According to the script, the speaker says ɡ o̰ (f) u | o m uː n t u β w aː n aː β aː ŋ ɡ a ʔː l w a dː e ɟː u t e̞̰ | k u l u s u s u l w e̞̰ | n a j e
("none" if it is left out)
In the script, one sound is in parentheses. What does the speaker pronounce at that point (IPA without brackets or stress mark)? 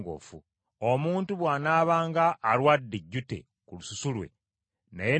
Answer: f